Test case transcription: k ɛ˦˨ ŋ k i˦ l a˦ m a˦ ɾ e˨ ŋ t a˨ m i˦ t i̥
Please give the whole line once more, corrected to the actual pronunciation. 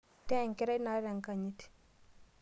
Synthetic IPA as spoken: t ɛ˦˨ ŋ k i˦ ɾ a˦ n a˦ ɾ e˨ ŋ k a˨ ɲ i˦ t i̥